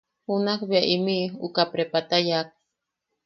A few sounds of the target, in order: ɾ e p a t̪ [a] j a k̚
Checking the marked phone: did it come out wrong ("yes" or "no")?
no